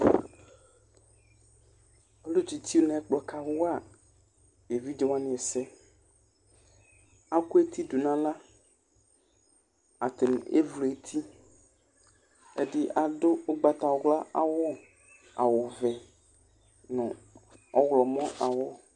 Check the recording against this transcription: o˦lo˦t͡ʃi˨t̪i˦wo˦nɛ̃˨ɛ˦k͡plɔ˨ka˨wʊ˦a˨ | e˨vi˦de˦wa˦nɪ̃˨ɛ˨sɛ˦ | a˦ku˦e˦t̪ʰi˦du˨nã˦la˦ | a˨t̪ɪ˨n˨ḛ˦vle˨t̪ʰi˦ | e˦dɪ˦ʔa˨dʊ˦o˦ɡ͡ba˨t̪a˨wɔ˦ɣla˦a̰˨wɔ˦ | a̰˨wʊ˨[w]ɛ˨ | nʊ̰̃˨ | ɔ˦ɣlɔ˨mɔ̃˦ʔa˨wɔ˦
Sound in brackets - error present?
yes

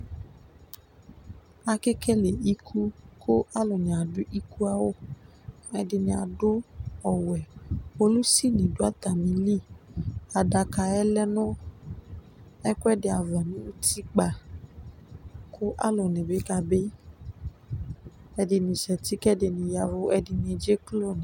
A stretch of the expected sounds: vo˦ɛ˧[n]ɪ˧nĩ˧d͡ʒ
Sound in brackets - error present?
yes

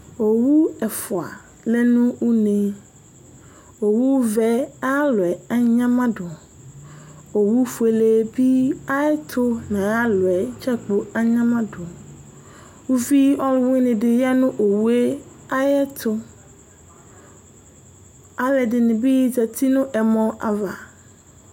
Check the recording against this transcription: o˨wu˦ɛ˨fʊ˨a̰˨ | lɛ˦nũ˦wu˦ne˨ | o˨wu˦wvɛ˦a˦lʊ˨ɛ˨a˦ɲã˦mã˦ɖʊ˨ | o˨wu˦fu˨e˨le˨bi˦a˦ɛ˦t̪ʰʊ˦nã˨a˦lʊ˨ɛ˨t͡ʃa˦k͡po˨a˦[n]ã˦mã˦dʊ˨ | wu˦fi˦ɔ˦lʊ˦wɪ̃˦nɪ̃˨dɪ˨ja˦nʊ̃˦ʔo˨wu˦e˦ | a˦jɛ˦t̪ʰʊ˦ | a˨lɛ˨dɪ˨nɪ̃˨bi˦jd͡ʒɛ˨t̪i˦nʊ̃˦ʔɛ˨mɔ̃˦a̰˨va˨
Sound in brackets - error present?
yes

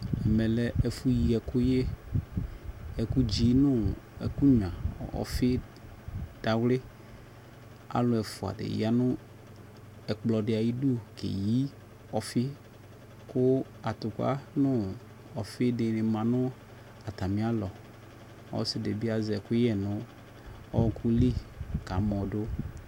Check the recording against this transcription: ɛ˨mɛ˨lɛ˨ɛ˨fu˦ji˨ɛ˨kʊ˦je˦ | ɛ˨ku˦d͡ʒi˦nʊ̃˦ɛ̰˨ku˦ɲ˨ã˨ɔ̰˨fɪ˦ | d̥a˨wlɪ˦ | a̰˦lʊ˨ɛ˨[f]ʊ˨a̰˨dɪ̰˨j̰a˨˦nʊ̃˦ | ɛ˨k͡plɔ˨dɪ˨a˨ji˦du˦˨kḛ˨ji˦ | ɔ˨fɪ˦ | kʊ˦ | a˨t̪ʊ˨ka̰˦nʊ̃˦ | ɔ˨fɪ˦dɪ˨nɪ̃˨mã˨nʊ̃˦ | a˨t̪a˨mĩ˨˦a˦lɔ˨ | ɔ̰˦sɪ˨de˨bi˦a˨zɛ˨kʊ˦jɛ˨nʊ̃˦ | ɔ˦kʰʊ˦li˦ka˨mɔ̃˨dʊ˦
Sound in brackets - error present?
no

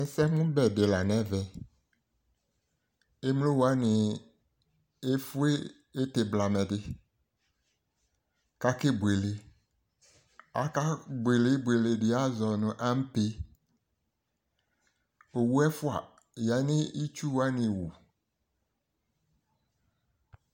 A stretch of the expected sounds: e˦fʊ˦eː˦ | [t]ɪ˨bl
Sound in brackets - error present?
no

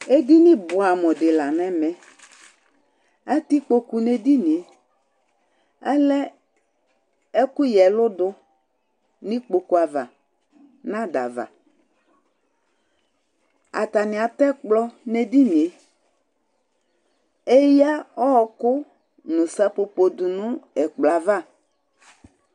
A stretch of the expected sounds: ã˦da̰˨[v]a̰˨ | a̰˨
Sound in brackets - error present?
no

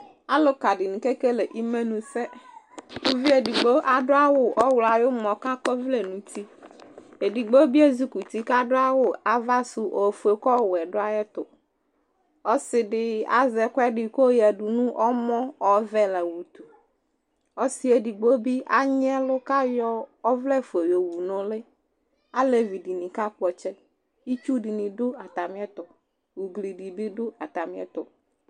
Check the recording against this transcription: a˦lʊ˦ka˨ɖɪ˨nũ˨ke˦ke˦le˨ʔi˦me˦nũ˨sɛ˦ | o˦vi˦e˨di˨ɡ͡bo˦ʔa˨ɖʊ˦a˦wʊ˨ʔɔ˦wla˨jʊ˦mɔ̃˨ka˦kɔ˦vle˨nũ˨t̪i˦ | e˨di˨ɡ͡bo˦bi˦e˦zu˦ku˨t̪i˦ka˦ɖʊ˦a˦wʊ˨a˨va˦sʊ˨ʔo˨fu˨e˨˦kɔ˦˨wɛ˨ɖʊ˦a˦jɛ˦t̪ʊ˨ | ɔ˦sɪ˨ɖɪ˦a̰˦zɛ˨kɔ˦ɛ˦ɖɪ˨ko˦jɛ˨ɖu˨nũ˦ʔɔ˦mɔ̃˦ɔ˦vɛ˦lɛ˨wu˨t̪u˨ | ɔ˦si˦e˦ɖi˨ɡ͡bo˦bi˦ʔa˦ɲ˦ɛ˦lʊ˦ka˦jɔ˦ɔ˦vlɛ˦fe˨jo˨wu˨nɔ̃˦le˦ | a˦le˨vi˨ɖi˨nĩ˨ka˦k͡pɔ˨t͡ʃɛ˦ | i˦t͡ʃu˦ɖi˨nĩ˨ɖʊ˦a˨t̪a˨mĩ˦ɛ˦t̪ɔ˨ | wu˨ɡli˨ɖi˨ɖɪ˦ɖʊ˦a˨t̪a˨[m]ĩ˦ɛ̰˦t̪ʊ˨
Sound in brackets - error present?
no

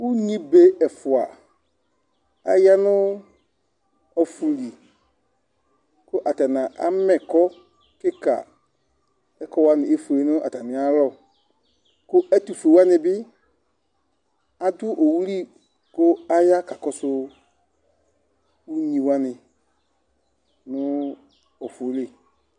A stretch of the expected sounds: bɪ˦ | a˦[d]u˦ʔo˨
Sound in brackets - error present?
no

